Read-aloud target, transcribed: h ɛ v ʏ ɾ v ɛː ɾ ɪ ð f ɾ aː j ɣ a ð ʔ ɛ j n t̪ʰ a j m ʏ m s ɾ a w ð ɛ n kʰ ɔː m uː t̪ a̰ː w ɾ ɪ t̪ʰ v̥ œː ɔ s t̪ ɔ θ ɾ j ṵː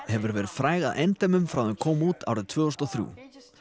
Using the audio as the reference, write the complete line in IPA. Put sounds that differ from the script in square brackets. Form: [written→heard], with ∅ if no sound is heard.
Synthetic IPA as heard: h ɛ v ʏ ɾ v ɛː ɾ ɪ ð f ɾ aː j ɣ a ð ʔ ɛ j n [t̪ʰ→t̪] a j m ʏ m [s→f] ɾ a w ð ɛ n kʰ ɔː m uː t̪ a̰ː w ɾ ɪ t̪ʰ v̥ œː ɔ s t̪ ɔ θ ɾ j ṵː